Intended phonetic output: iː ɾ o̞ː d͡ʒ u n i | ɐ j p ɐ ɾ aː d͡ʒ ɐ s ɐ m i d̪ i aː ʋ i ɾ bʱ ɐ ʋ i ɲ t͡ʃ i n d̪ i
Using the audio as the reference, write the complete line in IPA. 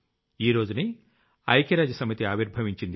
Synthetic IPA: iː ɾ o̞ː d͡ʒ u n i | ɐ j k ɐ ɾ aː d͡ʒ ɐ s ɐ m i t̪ i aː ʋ i ɾ bʱ ɐ ʋ i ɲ t͡ʃ i n d̪ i